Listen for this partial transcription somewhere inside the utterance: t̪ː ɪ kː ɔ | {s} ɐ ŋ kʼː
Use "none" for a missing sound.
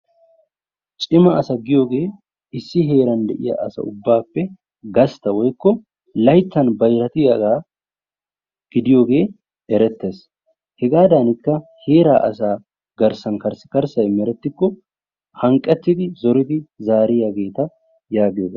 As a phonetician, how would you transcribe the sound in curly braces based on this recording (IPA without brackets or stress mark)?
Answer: h